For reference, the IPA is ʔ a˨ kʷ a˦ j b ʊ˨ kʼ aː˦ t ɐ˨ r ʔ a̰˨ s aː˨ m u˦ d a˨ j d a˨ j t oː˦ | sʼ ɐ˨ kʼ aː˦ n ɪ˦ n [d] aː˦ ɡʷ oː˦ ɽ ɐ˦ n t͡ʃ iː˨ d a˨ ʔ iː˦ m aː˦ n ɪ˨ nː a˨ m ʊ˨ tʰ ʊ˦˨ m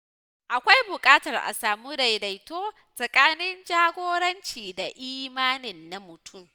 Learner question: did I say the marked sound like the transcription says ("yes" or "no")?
no